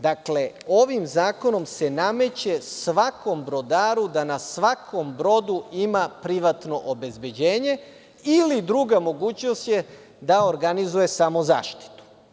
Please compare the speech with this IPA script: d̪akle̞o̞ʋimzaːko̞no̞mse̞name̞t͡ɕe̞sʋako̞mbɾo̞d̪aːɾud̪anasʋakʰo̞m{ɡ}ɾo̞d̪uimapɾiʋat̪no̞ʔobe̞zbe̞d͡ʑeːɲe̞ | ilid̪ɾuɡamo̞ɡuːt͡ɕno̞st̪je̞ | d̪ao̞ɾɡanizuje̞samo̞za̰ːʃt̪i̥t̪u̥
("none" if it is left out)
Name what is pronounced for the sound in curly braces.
b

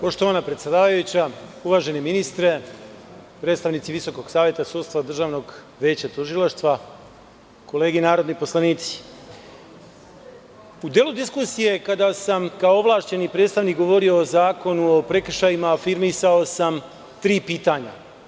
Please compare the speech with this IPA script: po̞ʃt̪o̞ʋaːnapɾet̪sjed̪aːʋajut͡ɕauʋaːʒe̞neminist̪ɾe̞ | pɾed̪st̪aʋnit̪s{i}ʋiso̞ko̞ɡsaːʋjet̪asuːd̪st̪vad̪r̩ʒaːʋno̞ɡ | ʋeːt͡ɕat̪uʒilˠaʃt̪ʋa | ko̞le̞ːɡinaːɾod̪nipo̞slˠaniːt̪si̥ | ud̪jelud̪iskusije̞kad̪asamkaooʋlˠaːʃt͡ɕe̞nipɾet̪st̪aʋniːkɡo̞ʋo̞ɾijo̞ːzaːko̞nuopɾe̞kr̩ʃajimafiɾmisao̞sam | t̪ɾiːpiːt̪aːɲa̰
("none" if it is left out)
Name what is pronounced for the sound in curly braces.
i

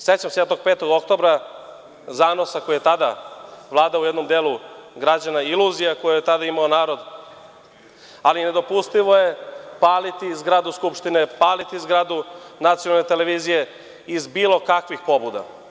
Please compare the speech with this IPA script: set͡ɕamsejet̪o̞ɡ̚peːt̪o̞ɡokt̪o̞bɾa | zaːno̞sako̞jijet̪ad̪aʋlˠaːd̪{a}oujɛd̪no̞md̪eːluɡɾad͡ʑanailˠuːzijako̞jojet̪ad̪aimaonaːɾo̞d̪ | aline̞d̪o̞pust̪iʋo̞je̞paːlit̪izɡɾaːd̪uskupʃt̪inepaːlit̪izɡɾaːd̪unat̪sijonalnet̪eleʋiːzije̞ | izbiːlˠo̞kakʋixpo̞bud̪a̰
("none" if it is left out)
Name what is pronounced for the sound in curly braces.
a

